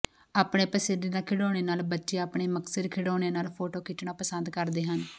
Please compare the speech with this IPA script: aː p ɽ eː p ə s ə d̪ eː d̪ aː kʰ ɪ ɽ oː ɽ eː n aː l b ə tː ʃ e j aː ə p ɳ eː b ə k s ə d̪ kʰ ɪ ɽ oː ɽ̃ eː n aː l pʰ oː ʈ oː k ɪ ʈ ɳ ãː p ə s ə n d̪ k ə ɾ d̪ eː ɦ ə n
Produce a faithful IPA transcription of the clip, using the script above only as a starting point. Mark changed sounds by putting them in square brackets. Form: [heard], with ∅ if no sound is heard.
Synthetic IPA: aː p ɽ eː p ə s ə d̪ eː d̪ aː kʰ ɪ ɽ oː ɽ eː n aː l b ə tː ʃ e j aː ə p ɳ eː [m] ə k s ə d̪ kʰ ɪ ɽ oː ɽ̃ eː n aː l pʰ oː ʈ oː k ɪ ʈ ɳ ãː p ə s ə n d̪ k ə ɾ d̪ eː ɦ ə n